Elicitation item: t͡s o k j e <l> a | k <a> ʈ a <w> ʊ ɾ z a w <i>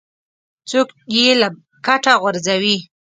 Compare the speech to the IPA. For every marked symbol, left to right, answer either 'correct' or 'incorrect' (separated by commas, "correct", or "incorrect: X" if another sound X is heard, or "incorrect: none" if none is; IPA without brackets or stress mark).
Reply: correct, correct, incorrect: ɣ, correct